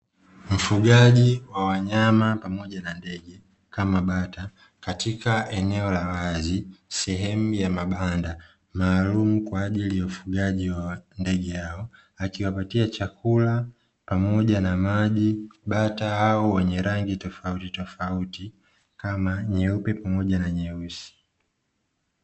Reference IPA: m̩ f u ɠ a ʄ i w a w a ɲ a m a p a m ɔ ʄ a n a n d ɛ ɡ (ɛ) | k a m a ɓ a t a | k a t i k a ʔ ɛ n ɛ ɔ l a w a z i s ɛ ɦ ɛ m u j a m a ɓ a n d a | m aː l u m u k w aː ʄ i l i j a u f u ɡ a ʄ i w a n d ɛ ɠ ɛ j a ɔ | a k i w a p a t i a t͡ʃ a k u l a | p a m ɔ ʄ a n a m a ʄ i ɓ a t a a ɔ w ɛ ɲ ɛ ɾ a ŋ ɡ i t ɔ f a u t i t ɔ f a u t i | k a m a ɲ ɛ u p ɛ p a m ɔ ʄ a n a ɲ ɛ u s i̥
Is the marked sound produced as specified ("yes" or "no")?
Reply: yes